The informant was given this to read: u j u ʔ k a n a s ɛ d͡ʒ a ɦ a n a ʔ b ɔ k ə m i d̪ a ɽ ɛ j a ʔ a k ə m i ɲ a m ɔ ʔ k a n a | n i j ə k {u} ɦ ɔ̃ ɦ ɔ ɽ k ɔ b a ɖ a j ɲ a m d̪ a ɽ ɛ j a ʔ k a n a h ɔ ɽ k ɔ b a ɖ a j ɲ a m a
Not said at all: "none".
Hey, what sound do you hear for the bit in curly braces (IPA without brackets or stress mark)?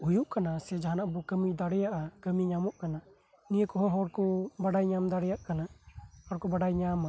ɔ